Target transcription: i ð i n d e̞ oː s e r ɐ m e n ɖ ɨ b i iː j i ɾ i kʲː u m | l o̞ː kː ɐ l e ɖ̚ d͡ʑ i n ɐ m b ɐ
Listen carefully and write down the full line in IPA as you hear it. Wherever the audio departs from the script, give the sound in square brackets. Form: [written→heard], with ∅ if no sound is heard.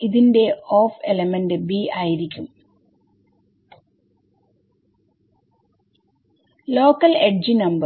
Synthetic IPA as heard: i ð i n d e̞ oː [s→f] e [r→l] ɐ m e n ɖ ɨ b i [iː→aː] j i ɾ i kʲː u m | l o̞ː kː ɐ l e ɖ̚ d͡ʑ i n ɐ m b ɐ